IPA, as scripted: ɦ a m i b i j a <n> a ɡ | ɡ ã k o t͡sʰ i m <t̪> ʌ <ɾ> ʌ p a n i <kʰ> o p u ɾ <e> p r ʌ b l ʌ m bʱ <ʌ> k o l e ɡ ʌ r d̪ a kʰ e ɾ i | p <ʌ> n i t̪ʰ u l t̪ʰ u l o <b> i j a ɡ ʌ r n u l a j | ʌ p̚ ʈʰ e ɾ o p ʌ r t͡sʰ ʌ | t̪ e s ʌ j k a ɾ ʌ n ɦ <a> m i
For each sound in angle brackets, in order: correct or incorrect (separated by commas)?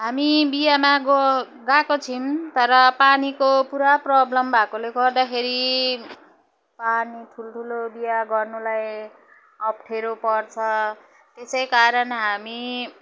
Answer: incorrect, correct, correct, incorrect, incorrect, incorrect, incorrect, correct, correct